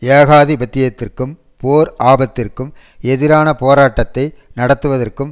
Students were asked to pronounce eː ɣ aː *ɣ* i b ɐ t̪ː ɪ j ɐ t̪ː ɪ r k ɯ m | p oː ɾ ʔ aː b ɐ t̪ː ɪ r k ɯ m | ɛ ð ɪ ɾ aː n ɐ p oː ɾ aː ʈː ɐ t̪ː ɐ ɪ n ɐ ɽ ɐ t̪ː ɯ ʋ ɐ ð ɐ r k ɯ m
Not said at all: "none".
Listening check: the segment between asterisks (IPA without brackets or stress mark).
ð